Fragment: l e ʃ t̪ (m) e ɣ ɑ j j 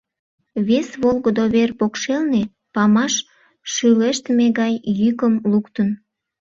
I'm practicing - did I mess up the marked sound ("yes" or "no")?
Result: no